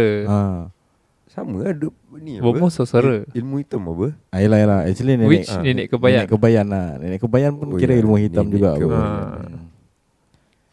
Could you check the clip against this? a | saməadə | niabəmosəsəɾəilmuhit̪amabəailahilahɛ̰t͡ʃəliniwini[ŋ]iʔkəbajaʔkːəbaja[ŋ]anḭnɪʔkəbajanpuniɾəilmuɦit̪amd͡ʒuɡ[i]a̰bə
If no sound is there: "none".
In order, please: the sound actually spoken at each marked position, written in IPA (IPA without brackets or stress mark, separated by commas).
n, n, a